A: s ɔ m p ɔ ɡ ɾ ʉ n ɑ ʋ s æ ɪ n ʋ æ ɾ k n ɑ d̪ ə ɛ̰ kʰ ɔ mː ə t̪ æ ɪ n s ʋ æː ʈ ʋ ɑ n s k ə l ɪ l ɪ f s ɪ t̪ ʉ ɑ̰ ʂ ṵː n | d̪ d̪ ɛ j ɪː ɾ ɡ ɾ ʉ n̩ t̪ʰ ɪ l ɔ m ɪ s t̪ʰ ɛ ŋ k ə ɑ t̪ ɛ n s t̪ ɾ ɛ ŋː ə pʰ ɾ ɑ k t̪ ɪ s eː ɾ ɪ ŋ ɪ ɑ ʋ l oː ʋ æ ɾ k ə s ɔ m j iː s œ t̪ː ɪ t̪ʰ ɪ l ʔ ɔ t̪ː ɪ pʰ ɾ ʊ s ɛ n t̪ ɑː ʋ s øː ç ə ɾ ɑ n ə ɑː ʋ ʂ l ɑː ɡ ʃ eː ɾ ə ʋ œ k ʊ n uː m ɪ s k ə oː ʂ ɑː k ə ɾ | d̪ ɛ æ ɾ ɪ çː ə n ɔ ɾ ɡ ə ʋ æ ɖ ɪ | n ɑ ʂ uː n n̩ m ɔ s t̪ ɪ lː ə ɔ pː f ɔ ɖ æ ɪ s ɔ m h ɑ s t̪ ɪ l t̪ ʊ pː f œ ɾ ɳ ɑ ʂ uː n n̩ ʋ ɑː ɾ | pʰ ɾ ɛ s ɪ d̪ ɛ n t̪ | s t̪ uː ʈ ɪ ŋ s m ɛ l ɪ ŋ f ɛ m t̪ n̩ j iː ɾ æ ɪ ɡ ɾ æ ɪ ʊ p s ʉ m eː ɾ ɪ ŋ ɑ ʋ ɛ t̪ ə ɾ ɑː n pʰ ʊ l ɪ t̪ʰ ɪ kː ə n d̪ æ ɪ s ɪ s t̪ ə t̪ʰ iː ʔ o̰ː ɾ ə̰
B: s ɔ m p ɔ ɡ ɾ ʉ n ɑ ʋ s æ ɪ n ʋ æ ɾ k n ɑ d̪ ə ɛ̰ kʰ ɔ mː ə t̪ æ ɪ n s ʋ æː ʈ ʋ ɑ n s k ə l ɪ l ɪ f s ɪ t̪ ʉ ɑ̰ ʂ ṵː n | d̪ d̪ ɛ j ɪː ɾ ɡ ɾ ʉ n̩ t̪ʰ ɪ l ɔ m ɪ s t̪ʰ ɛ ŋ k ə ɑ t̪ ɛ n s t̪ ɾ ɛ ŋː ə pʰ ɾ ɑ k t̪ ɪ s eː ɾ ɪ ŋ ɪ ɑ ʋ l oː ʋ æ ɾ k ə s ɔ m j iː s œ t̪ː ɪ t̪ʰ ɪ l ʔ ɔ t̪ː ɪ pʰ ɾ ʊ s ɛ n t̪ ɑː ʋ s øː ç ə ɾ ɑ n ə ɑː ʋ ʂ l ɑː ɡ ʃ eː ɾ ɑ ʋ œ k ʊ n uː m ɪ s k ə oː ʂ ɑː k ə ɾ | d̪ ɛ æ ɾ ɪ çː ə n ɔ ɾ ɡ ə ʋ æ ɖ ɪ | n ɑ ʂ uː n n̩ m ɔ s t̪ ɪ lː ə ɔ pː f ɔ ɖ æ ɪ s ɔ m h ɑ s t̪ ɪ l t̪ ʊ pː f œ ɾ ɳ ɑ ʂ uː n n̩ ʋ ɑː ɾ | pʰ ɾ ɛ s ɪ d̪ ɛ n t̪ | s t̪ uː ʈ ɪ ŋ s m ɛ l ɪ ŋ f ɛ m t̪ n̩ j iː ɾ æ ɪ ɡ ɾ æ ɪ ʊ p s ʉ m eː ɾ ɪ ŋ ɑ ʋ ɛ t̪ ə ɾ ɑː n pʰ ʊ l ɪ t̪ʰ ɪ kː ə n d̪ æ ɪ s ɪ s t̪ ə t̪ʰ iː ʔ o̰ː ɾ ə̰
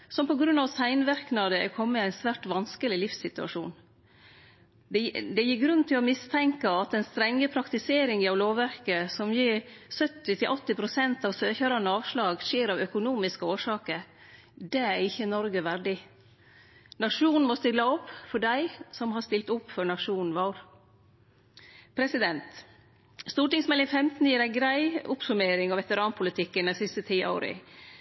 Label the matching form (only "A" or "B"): B